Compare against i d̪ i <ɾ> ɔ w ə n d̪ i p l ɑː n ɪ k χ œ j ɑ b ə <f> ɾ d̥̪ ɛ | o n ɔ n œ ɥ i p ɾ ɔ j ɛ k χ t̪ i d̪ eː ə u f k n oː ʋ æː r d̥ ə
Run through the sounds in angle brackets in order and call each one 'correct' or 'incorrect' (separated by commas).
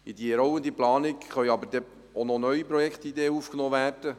correct, incorrect